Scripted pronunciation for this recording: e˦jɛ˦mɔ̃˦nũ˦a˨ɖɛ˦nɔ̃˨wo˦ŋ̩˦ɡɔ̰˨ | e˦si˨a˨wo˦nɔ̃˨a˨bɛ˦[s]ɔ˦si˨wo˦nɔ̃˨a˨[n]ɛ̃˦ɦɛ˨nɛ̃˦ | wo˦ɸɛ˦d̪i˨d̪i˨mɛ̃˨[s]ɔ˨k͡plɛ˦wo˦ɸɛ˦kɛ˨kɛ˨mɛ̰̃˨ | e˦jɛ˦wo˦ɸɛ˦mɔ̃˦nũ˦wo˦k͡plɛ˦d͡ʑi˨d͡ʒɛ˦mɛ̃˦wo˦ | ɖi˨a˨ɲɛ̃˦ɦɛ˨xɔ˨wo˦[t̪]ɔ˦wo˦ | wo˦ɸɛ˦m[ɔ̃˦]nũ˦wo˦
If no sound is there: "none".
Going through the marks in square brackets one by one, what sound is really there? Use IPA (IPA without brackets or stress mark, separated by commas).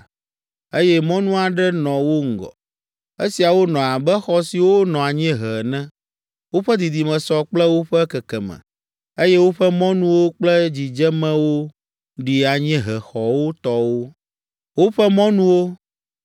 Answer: x, ɲ, s, t̪, ɔ̃˦